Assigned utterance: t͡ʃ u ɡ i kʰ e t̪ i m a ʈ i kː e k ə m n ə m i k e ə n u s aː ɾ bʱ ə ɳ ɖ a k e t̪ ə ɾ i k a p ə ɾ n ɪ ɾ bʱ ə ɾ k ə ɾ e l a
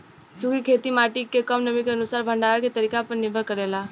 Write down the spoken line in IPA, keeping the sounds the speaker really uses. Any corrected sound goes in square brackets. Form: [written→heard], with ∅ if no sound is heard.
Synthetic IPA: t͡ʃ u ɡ i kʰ e t̪ i m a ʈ i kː e k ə m n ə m i k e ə n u s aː ɾ bʱ ə ɳ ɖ a k e t̪ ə ɾ i k a p ə ɾ n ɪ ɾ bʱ ə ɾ k ə ɾ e l a